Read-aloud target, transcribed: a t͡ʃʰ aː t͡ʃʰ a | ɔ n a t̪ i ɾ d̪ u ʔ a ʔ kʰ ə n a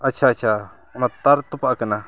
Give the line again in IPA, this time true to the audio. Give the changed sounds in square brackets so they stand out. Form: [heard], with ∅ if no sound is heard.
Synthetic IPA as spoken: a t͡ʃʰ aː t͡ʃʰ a | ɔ n a t̪ [a] ɾ [t̪] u [p] a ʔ [k] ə n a